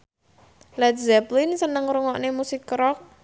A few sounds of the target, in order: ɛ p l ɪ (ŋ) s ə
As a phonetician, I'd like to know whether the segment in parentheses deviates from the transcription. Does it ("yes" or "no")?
yes